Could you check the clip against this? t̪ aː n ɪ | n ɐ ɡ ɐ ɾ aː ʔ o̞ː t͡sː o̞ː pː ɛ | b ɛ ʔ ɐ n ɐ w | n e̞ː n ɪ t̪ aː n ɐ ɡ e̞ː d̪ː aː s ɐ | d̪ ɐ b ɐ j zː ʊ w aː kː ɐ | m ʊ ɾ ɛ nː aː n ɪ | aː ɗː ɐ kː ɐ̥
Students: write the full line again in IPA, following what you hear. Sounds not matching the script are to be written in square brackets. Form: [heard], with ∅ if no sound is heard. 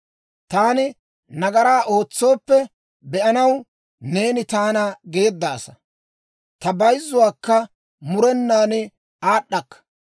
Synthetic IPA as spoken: t̪ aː n ɪ | n ɐ ɡ ɐ ɾ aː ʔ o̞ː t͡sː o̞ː pː ɛ | b ɛ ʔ ɐ n ɐ w | n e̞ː n ɪ t̪ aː n ɐ ɡ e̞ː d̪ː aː s ɐ | [t̪] ɐ b ɐ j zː ʊ w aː kː ɐ | m ʊ ɾ ɛ nː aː n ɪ | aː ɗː ɐ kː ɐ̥